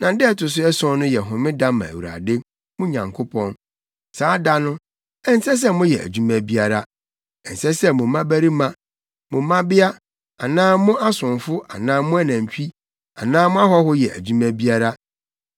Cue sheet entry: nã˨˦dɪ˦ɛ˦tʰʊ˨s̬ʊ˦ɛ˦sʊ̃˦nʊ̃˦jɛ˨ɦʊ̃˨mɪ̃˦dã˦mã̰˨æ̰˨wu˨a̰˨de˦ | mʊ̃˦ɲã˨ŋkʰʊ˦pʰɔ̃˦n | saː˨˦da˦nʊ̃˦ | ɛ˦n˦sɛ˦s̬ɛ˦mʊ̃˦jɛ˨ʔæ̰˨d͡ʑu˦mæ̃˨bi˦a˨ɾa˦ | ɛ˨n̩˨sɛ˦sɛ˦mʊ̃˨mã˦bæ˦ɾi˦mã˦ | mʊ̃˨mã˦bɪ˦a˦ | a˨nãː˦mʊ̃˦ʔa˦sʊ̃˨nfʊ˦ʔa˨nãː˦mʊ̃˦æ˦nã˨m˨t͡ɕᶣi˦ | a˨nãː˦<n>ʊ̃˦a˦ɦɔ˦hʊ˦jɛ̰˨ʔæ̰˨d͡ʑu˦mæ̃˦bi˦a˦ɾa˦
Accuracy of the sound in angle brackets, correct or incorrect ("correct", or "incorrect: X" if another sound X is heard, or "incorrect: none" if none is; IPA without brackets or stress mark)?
incorrect: m